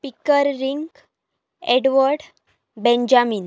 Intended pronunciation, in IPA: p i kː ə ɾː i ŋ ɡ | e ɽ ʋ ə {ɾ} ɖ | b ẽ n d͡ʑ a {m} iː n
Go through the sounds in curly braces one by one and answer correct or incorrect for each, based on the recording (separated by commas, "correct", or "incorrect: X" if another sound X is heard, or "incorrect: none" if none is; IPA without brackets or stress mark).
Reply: correct, correct